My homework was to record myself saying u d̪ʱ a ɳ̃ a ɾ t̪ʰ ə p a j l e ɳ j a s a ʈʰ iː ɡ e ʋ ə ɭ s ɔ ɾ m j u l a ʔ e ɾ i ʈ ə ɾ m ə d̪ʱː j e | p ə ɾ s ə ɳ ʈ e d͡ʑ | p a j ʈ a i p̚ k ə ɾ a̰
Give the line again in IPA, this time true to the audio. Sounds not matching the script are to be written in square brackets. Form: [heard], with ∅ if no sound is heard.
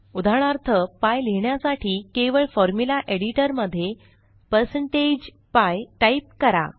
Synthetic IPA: u d̪ʱ a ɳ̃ a ɾ t̪ʰ ə p a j l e ɳ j a s a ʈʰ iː [k] e ʋ ə ɭ [f] ɔ ɾ m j u l a ʔ e [ɽ] i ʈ ə ɾ m ə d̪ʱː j e | p ə ɾ s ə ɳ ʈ e d͡ʑ | p a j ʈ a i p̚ k ə ɾ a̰